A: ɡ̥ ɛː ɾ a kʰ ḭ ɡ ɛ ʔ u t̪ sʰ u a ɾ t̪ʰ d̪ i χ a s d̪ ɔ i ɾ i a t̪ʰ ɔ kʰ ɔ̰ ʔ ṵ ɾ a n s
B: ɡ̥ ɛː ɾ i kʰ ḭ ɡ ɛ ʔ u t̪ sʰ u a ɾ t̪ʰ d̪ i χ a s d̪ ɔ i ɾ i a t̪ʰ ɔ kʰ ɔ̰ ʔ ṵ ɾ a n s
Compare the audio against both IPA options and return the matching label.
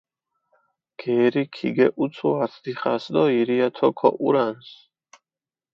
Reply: B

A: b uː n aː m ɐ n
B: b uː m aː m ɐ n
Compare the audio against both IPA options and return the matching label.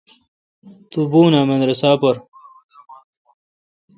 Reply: A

